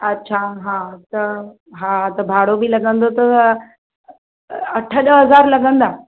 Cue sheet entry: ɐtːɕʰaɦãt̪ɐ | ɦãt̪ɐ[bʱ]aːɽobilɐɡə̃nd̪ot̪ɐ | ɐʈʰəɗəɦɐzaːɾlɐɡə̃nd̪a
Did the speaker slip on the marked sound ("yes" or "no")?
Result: no